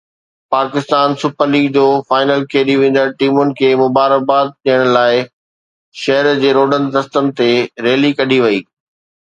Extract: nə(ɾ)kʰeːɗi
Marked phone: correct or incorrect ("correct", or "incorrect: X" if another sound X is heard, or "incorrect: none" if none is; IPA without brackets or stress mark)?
incorrect: l